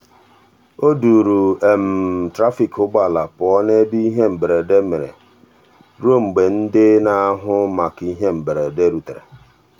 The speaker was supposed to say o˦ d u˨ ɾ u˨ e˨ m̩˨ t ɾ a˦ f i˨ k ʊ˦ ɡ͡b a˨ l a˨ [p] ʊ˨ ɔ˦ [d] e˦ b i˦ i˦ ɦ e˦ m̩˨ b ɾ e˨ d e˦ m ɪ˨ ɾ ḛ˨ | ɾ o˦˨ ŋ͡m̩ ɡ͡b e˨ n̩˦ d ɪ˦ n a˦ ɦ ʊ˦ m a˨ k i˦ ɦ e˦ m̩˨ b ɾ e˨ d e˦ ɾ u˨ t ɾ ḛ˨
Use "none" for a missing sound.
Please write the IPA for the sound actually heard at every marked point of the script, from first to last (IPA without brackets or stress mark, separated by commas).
p, n